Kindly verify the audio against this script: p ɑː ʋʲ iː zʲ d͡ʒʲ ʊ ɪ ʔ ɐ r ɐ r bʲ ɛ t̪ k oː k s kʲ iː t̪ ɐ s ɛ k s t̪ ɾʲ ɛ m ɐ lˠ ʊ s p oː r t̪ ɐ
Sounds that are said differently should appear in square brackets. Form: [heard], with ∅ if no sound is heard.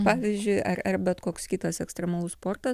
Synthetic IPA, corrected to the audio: p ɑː ʋʲ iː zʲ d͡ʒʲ ʊ ɪ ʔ ɐ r ɐ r bʲ ɛ t̪ k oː k s kʲ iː t̪ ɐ s ɛ k s t̪ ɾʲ ɛ m ɐ lˠ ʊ s p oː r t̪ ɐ